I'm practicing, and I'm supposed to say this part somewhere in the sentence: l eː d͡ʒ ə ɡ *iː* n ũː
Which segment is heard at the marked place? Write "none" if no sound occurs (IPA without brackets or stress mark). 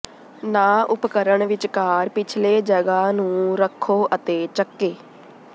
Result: aː